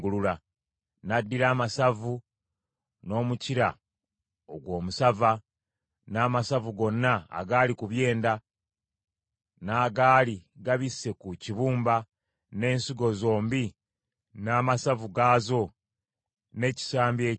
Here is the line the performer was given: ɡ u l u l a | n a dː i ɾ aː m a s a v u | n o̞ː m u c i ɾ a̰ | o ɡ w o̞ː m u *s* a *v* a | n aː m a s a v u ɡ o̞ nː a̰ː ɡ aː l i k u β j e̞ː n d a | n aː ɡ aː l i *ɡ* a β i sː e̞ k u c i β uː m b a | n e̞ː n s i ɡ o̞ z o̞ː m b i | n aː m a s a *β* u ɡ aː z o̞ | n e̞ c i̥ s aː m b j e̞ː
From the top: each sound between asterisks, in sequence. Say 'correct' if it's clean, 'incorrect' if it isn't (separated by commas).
correct, correct, correct, incorrect